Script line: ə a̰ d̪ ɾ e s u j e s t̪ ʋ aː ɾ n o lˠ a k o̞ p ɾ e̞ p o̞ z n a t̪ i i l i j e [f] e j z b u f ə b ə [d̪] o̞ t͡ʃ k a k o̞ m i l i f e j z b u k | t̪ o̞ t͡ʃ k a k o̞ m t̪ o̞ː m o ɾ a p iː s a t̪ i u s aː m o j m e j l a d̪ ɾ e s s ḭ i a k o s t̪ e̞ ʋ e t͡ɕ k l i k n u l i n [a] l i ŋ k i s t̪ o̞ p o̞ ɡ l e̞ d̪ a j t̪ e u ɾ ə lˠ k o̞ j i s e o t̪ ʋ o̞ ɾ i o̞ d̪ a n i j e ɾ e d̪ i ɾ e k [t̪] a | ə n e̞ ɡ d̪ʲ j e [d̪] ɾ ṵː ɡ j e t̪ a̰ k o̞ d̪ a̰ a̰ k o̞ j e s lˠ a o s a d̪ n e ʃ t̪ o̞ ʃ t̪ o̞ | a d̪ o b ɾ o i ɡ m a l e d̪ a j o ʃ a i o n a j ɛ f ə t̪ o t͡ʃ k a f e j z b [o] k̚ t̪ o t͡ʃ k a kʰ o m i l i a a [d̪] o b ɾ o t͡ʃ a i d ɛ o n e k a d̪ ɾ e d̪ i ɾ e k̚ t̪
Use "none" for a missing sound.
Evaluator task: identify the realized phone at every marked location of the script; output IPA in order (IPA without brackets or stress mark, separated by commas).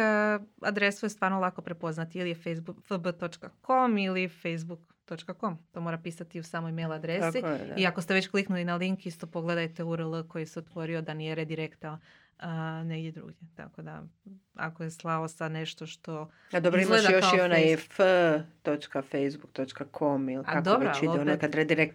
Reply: f, t̪, a, t̪, d̪, u, d̪